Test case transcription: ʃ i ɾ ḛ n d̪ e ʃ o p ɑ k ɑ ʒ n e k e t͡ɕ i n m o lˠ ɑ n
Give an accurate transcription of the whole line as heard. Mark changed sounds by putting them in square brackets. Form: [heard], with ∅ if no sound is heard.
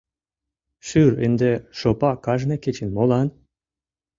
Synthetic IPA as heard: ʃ [y] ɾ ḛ n d̪ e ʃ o p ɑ k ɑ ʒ n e k e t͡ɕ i n m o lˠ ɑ n